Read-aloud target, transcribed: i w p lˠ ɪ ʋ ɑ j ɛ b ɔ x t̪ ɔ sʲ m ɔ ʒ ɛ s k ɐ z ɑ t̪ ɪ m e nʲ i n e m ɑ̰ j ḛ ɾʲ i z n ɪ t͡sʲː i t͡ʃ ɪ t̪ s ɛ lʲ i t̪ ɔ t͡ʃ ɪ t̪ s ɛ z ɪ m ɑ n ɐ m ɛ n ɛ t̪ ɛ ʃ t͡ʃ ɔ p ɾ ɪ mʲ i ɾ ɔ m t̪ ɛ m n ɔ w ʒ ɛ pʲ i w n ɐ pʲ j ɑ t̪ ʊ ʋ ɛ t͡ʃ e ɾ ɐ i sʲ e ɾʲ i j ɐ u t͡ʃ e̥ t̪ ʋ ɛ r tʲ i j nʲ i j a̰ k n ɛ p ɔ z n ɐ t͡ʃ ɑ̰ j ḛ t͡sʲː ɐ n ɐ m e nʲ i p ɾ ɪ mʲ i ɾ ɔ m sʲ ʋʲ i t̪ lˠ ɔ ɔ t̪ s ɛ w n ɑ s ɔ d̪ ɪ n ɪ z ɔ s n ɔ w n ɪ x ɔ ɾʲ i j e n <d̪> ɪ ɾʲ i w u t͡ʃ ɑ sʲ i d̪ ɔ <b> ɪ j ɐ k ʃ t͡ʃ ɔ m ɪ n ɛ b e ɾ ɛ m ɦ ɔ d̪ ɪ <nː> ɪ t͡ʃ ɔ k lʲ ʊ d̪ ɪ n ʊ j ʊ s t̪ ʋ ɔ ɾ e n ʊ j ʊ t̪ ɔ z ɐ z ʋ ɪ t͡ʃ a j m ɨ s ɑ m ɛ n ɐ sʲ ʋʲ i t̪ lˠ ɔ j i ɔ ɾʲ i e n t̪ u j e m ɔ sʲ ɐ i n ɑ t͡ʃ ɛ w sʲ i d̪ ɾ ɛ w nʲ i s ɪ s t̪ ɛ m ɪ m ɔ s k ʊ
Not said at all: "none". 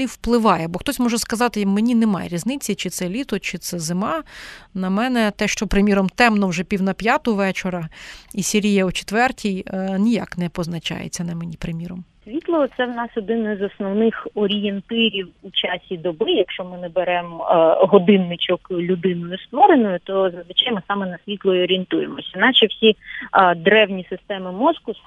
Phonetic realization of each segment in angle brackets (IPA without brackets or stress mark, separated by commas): t̪, b, nː